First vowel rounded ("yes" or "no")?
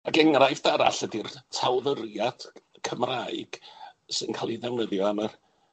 no